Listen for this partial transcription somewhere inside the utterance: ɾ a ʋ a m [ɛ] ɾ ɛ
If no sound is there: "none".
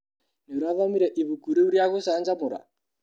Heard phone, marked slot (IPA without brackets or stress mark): i